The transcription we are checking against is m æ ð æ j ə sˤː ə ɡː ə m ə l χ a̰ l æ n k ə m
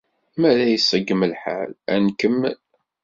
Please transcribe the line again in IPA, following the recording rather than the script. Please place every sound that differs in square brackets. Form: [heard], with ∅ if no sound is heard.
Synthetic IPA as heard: m æ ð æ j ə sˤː ə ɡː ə m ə l [ħ] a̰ l æ n k ə m